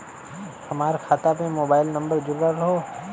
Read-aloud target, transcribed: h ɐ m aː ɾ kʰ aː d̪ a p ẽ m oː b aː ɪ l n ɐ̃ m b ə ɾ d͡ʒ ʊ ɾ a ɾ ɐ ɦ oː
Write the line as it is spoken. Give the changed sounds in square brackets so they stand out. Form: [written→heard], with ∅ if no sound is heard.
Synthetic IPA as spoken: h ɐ m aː ɾ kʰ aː [d̪→t̪] a p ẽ m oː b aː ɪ l n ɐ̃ m b ə ɾ d͡ʒ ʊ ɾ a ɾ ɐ ɦ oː